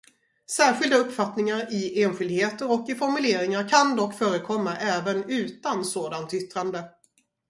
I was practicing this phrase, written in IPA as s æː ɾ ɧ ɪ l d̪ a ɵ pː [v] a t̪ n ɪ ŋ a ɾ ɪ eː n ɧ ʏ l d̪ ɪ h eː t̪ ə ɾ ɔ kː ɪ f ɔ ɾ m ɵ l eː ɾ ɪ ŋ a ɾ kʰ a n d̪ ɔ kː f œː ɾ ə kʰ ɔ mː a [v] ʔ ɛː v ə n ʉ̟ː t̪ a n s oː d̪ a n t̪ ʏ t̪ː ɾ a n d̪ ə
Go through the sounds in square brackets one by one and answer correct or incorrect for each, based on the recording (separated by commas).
incorrect, incorrect